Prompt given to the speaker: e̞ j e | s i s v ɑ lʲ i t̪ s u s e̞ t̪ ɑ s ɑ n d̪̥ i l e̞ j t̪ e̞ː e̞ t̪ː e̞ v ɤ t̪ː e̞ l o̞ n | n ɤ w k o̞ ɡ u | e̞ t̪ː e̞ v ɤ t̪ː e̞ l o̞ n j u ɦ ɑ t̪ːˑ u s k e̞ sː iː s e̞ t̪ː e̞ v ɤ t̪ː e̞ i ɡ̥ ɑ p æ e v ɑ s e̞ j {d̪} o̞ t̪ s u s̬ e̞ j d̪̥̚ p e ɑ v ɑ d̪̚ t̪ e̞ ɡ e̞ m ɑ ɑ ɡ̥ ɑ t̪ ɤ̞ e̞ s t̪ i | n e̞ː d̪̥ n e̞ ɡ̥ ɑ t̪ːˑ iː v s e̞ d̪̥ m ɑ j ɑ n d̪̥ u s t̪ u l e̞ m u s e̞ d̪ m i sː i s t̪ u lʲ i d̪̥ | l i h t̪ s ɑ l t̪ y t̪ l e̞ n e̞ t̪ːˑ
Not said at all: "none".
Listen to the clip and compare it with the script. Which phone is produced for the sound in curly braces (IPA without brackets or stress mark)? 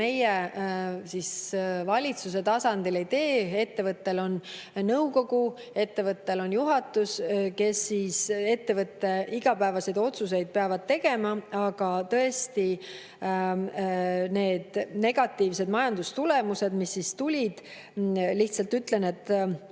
d̪